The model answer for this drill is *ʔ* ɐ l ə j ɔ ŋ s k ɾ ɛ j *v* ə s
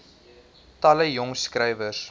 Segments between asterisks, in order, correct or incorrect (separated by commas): incorrect, correct